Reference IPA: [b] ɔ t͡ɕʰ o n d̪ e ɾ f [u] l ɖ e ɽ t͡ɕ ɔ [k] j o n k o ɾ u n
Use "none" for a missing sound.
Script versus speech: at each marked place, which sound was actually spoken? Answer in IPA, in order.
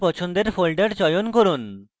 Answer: p, o, none

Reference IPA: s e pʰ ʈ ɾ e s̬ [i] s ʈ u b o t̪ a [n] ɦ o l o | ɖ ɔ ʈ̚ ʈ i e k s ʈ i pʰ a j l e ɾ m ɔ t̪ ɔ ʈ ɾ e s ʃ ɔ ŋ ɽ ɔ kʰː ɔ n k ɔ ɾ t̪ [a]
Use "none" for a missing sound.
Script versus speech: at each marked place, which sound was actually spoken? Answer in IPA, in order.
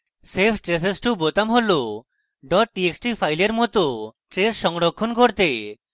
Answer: e, m, e

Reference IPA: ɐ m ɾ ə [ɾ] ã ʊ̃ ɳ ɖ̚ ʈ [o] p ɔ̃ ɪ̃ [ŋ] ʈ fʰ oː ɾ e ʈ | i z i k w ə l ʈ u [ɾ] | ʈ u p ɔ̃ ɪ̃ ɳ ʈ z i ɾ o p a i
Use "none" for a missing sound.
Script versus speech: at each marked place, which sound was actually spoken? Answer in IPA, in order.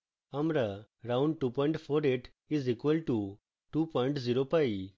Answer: ɾ, u, ɳ, none

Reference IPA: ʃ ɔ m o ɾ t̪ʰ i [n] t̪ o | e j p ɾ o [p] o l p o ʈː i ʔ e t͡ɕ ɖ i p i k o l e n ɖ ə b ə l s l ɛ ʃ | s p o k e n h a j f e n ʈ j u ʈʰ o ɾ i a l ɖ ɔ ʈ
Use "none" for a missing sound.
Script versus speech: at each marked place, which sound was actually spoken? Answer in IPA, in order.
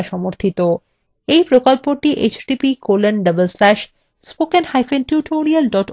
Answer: none, k

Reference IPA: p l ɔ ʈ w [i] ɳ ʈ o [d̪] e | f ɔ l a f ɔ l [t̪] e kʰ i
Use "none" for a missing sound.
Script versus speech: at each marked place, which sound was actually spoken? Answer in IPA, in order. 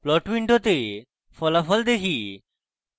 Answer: i, t̪, d̪

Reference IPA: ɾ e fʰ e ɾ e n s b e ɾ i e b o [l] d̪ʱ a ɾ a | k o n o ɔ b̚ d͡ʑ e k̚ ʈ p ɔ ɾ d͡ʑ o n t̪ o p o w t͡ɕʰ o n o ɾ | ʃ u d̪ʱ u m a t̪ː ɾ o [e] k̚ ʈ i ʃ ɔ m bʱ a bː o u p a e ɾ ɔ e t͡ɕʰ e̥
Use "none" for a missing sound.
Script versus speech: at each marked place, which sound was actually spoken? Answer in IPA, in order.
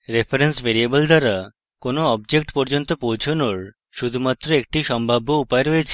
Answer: l, e

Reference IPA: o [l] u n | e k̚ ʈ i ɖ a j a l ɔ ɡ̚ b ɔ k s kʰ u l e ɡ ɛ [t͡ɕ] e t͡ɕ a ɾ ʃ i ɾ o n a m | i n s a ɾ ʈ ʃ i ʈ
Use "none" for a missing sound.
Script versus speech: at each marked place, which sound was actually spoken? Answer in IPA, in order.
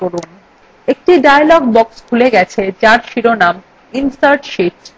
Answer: ɾ, t͡ɕʰ

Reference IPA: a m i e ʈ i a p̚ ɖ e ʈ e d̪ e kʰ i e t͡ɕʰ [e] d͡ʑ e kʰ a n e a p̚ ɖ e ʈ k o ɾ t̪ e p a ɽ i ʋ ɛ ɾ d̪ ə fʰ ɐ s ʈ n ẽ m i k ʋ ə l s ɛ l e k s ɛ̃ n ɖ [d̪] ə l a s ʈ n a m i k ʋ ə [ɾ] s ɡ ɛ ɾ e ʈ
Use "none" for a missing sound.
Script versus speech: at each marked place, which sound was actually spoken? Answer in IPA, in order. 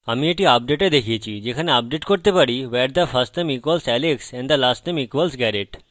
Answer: i, d̪, l

